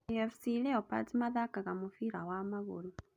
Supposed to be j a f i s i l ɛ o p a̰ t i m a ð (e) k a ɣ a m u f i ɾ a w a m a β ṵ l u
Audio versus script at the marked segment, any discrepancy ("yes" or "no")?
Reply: yes